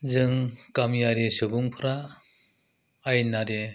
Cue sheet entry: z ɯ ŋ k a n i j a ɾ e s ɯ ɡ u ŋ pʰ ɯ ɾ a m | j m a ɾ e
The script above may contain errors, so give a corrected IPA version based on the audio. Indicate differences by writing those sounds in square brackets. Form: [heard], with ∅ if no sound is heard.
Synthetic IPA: z ɯ ŋ k a [m] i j a ɾ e s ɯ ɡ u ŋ pʰ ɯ ɾ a [∅] | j [n] a ɾ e